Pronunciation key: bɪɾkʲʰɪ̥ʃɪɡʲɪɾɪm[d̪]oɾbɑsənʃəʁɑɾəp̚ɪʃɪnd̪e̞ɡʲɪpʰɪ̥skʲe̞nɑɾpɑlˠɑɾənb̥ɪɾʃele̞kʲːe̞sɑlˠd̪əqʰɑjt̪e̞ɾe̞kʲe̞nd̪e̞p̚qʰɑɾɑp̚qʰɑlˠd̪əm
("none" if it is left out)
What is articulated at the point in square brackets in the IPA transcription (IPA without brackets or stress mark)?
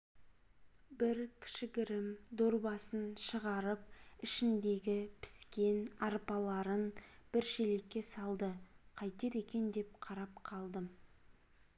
d̪